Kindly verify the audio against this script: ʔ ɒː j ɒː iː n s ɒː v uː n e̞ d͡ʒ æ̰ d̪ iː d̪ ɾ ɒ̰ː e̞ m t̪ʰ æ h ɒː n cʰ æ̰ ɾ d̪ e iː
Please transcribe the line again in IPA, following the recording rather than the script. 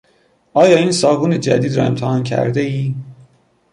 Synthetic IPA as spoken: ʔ ɒː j ɒː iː n s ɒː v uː n e̞ d͡ʒ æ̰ d̪ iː d̪ ɾ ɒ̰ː e̞ m t̪ʰ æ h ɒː n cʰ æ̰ ɾ d̪ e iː

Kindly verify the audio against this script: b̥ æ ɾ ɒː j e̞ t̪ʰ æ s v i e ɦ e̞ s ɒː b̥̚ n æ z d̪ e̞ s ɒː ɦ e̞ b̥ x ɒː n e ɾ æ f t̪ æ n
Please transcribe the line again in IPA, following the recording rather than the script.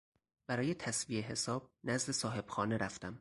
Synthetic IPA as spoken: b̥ æ ɾ ɒː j e̞ t̪ʰ æ s v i e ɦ e̞ s ɒː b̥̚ n æ z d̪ e̞ s ɒː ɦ e̞ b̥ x ɒː n e ɾ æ f t̪ æ m

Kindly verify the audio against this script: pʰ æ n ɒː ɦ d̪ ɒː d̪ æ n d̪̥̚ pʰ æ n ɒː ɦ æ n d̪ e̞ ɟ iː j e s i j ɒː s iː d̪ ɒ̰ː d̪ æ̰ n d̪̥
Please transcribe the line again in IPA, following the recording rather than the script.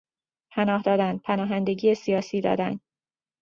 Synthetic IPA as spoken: pʰ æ n ɒː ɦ d̪ ɒː d̪ æ n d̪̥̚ pʰ æ n ɒː ɦ æ n d̪ e̞ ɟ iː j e s i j ɒː s iː d̪ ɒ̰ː d̪ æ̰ n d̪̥

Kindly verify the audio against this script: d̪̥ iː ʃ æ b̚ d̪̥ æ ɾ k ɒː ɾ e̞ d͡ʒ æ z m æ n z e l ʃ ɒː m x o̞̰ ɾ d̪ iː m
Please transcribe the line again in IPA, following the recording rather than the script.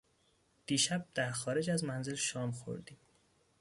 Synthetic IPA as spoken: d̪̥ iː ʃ æ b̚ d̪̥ æ ɾ x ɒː ɾ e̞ d͡ʒ æ z m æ n z e l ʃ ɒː m x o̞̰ ɾ d̪ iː m

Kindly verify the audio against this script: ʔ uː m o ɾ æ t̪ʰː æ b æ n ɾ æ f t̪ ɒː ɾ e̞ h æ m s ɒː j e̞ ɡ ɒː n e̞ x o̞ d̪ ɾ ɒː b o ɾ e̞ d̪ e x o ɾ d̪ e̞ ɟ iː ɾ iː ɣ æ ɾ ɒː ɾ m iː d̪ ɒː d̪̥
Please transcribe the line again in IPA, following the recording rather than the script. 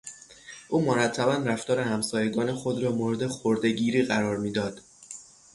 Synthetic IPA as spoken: ʔ uː m o ɾ æ t̪ʰː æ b æ n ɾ æ f t̪ ɒː ɾ e̞ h æ m s ɒː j e̞ ɡ ɒː n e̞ x o̞ d̪ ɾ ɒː m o ɾ e̞ d̪ e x o ɾ d̪ e̞ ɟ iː ɾ iː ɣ æ ɾ ɒː ɾ m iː d̪ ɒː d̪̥

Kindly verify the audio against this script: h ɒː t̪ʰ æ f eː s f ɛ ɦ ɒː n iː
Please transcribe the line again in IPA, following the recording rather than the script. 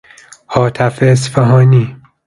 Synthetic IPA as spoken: h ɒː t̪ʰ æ f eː s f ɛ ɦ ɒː n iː

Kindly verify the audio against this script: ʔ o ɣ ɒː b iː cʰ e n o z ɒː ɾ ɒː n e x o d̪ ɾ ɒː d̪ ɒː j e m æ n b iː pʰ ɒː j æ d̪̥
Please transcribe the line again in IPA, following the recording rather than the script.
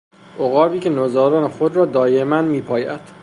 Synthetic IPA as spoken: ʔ o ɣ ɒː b iː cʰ e n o z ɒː ɾ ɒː n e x o d̪ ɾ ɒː d̪ ɒː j e m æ n m iː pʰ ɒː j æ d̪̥

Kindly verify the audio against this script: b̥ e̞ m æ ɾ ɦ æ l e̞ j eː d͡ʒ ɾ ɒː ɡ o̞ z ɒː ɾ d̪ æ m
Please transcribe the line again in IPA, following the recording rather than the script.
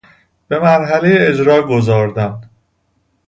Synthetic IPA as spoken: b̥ e̞ m æ ɾ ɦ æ l e̞ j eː d͡ʒ ɾ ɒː ɡ o̞ z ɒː ɾ d̪ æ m

